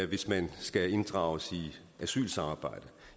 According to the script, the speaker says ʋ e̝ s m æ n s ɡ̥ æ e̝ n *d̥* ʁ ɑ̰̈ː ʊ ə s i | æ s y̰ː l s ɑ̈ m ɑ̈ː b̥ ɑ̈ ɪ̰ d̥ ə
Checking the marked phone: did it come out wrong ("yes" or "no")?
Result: no